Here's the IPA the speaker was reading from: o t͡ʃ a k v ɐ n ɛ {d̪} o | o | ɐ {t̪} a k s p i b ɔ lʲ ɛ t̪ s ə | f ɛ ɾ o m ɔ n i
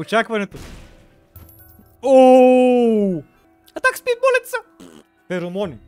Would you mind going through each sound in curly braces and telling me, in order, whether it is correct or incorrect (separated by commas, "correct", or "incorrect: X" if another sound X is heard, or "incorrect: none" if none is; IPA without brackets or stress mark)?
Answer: incorrect: t̪, correct